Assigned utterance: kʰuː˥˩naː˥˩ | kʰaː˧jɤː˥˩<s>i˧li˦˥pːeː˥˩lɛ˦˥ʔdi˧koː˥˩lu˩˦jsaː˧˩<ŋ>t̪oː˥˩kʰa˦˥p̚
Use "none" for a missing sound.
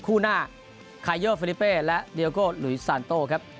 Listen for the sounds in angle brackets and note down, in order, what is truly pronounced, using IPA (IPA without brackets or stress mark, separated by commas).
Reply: f, n